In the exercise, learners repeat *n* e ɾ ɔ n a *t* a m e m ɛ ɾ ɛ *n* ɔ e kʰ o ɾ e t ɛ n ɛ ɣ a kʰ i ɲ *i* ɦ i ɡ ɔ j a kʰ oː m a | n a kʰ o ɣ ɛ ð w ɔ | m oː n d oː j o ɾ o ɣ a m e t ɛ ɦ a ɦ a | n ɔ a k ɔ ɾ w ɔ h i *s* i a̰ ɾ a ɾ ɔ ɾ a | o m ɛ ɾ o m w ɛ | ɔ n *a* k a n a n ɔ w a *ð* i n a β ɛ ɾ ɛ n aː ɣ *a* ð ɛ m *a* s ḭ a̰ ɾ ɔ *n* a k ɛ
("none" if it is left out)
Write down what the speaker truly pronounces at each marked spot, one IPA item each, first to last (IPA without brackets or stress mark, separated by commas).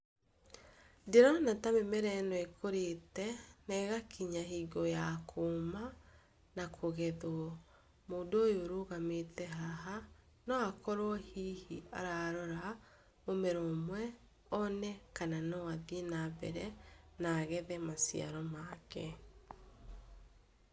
d, t, n, a, h, ɛ, ð, ɛ, a, m